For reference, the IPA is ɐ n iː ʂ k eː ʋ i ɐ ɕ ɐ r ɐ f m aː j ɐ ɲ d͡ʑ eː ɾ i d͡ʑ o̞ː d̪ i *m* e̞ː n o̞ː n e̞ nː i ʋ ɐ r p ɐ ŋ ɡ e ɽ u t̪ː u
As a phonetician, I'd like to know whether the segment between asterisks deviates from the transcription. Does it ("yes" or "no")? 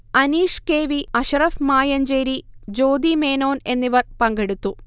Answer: no